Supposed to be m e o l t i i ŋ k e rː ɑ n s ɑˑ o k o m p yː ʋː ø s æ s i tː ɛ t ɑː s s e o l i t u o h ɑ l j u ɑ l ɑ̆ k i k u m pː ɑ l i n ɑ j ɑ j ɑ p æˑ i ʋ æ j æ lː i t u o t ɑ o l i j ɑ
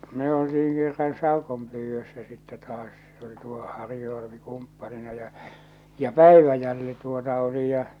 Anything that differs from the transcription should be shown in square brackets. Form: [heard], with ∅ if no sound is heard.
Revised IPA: m e o l t i i ŋ k e rː ɑ n s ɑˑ o k o m p yː ʋː ø [sː] æ s i tː ɛ t ɑː s s e o l i t u o h ɑ [r] j u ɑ l ɑ̆ [p] i k u m pː ɑ l i n ɑ j ɑ j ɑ p æˑ i ʋ æ j æ lː i t u o t ɑ o l i j ɑ

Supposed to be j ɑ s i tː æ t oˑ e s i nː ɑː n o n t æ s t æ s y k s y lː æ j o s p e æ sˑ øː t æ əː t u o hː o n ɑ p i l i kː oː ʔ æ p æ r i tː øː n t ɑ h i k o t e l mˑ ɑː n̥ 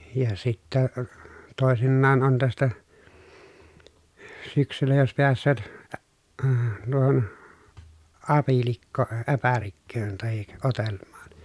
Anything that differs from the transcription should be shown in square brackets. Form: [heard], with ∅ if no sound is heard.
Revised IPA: j ɑ s i tː æ t oˑ e s i nː ɑː n o n t æ s t æ s y k s y lː æ j o s p e æ sˑ øː t æ əː t u o [h] o n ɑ p i l i kː oː ʔ æ p æ r i [kː] øː n t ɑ h i k o t e l mˑ ɑː n̥

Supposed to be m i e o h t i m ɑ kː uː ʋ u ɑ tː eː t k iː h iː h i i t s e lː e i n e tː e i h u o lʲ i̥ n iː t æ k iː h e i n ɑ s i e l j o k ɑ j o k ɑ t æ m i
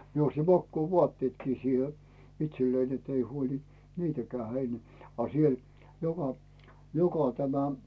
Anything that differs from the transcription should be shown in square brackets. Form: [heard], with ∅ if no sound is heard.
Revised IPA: m i e o [s] t i m ɑ kː uː ʋ u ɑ tː eː t k iː [s] iː h [e] i t s e lː e i n e tː e i h u o lʲ i̥ n iː t æ k [æː] h e i n ɑ s i e l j o k ɑ j o k ɑ t æ m [æ]

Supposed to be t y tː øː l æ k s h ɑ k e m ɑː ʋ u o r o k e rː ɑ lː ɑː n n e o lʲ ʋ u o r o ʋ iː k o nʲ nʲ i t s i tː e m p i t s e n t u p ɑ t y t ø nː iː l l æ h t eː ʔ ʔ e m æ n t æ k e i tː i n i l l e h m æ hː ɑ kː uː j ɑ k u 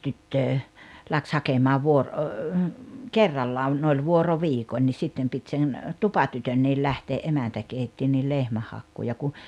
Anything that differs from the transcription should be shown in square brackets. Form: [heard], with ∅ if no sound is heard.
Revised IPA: t y tː øː l æ k s h ɑ k e m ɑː ʋ u o r o k e rː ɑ lː ɑː n n e o lʲ ʋ u o r o ʋ iː k o nʲ nʲ i [s] s i tː e m p i t s e n t u p ɑ t y t ø nː iː l l æ h t eː ʔ ʔ e m æ n t æ k e i tː i n i l l e h m æ hː ɑ kː uː j ɑ k u

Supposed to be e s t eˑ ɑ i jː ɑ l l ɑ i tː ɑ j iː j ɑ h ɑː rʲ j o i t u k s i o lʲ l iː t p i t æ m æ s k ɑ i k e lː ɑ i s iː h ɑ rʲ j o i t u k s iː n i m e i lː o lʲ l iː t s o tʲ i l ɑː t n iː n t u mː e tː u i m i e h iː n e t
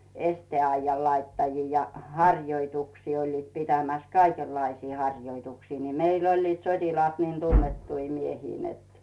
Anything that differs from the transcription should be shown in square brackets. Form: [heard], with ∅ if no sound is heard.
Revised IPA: e s t eˑ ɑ i jː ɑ l l ɑ i tː ɑ j iː j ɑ h [ɑ] rʲ j o i t u k s [iː] o lʲ l iː t p i t æ m æ s k ɑ i k e lː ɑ i s iː h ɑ rʲ j o i t u k s iː n i m e i lː o lʲ l iː t s o tʲ i l ɑː t n iː n t u [nː] e tː u i m i e h iː n e t

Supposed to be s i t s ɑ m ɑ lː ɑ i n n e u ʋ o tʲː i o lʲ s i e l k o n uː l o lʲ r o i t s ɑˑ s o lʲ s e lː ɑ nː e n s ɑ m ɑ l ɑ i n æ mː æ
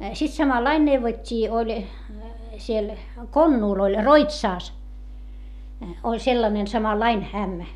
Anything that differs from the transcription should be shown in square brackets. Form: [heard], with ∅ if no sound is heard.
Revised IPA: s i t s ɑ m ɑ lː ɑ i n n e u ʋ o tʲː [iː] o lʲ s i e l k o [nː] uː l o lʲ r o i t s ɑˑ s o lʲ s e lː ɑ [n] e n s ɑ m ɑ [lː] ɑ i n æ mː æ

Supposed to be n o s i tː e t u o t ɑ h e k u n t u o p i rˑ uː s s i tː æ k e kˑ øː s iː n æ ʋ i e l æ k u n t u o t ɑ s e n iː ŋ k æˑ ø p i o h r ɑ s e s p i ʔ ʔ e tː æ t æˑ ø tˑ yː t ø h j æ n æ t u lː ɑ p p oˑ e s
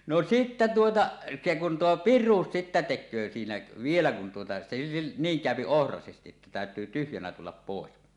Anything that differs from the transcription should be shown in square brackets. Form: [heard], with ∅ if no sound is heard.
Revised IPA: n o s i tː [æ] t u o t ɑ [s] e k u n t u o p i rˑ uː s s i tː æ [t] e kˑ øː s iː n æ ʋ i e l æ k u n t u o t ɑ s e n iː ŋ k æˑ ø p i o h r ɑ s e s [t] i ʔ ʔ e tː æ t æˑ ø tˑ yː t [y] h j æ n æ t u lː ɑ p p oˑ e s

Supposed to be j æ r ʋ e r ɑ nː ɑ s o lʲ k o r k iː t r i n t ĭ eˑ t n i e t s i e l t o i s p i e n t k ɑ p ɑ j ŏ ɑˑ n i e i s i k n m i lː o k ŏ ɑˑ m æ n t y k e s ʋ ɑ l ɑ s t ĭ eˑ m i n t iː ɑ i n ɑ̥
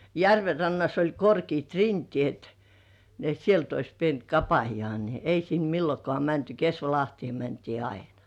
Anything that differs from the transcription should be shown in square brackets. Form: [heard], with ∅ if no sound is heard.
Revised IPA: j æ r ʋ e r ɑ nː ɑ s o lʲ k o r k iː t r i n t ĭ eˑ t n i e t s i e l t o i s p i e n t k ɑ p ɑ j ŏ ɑˑ n i e i s i [∅] n m i lː o k ŏ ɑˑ m æ n t y k e s ʋ ɑ l ɑ [h] t ĭ eˑ m [æ] n t iː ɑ i n ɑ̥

